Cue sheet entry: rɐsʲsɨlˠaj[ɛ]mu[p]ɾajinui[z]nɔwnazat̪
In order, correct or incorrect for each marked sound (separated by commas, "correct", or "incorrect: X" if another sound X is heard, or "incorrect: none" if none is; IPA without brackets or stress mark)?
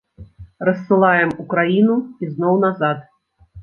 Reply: correct, incorrect: k, correct